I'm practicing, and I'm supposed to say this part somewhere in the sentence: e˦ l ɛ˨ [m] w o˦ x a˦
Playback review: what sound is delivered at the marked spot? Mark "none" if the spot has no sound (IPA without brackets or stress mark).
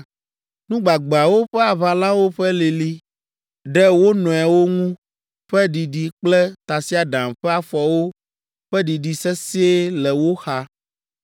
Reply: none